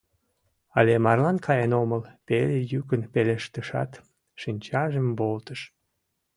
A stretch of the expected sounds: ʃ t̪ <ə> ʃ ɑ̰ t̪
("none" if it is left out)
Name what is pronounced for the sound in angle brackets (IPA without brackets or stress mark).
ə